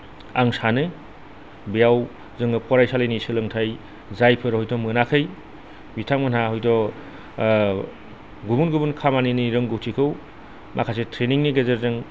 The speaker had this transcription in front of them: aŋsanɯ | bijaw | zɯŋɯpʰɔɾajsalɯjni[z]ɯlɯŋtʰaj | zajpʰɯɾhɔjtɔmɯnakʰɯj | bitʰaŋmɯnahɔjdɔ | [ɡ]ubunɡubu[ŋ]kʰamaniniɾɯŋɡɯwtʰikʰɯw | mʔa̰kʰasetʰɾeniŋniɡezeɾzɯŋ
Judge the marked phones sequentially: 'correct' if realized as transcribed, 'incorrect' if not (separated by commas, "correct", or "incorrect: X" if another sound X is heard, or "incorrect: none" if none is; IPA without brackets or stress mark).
incorrect: s, correct, incorrect: n